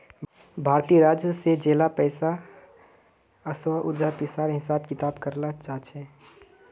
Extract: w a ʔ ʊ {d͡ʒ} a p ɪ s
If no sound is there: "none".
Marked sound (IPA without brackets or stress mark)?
d͡ʒ